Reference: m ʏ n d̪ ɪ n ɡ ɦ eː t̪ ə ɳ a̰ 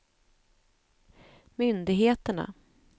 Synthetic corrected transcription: m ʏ n d̪ ɪ ɡ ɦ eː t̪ ə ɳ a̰